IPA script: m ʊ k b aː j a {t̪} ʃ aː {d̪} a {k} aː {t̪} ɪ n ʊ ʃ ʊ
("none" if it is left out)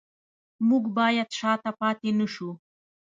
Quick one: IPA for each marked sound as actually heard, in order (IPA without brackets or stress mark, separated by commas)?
t̪, t̪, p, t̪